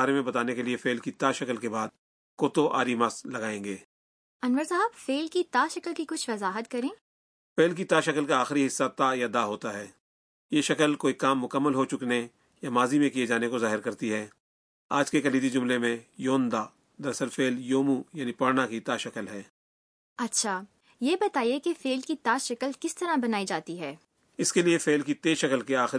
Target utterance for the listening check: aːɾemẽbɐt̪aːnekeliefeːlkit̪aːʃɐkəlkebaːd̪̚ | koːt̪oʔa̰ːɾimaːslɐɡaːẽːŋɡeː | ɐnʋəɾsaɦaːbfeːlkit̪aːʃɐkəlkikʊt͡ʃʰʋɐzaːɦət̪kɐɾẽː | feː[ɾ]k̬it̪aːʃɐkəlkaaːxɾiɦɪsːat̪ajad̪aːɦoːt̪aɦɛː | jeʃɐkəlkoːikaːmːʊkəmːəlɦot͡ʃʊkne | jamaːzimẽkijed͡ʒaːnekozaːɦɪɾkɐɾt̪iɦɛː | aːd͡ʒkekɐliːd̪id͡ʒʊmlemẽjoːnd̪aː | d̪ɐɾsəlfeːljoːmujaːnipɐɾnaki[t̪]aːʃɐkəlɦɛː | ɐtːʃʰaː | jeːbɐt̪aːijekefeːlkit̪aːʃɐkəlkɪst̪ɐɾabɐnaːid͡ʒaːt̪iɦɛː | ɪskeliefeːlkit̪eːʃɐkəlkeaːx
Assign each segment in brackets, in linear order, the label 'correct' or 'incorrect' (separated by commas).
incorrect, correct